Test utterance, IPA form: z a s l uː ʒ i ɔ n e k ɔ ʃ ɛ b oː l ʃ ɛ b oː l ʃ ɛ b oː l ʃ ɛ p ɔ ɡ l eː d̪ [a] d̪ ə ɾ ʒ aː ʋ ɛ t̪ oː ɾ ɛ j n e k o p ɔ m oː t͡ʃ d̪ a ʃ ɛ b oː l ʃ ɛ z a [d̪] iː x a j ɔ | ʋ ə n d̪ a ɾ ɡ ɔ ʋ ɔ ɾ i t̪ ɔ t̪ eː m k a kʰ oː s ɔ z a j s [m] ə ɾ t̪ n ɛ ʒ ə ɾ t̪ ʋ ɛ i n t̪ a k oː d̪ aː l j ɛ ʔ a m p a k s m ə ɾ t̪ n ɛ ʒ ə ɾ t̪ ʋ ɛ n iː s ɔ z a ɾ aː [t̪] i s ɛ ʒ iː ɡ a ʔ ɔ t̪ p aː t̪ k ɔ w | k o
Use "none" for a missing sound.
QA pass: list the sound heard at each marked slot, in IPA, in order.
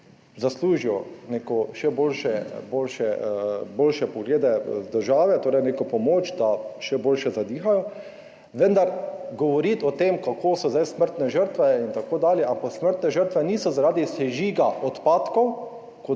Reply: ɛ, d̪, m, d̪

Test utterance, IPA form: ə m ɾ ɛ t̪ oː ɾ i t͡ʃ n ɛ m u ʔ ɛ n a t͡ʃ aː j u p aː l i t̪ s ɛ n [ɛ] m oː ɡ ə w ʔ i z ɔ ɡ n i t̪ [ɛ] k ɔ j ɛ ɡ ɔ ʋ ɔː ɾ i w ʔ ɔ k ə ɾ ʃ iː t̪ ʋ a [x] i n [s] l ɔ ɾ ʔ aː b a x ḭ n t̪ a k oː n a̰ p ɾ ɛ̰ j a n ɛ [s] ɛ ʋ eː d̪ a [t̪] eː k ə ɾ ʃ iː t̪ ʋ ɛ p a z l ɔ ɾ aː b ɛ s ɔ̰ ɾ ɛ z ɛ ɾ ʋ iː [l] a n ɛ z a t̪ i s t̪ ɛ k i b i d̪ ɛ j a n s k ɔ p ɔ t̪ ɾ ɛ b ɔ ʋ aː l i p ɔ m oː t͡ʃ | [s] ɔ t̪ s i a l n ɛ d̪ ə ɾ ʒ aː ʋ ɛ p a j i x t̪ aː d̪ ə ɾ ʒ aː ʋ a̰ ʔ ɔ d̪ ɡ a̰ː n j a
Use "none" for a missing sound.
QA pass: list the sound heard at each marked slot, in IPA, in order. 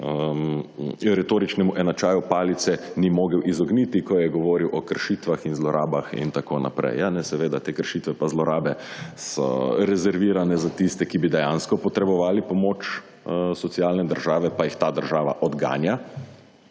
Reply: i, i, x, z, s, t̪, ɾ, s

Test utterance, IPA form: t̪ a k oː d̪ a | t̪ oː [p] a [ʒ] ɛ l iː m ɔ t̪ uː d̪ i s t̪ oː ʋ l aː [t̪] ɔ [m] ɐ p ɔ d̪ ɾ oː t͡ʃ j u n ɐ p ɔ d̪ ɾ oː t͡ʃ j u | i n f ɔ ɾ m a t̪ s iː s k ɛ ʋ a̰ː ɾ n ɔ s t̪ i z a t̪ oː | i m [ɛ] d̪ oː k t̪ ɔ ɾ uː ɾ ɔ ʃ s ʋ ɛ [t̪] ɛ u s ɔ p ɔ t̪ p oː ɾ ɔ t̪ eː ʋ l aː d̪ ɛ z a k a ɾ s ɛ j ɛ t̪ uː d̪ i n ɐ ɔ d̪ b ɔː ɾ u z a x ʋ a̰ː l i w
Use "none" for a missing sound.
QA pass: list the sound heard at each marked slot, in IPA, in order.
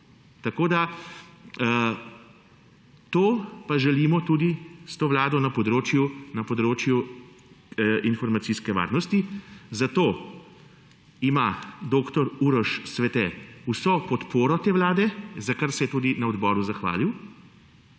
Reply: p, ʒ, d̪, n, a, t̪

